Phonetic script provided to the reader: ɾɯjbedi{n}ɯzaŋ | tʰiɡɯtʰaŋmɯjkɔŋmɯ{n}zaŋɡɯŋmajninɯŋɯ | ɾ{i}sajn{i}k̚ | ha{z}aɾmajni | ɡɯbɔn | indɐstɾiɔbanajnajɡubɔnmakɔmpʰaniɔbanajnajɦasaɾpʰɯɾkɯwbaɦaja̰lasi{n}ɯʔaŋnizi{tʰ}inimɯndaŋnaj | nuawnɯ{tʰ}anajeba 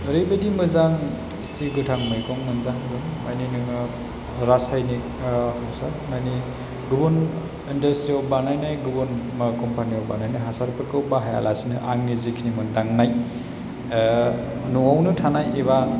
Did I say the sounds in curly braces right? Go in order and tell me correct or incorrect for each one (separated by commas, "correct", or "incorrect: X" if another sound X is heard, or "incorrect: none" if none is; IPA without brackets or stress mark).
incorrect: m, correct, incorrect: a, correct, incorrect: s, correct, incorrect: kʰ, correct